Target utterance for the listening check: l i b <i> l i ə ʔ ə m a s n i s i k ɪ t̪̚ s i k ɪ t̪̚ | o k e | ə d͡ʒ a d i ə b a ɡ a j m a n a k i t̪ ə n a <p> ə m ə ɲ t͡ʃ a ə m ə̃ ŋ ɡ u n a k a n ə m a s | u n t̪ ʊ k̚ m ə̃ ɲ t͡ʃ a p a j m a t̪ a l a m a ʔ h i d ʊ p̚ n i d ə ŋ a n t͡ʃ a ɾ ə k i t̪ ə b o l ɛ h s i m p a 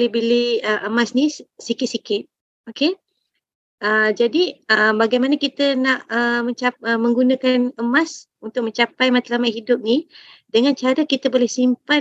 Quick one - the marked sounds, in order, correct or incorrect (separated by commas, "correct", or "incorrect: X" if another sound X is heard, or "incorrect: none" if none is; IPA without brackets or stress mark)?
correct, incorrect: ʔ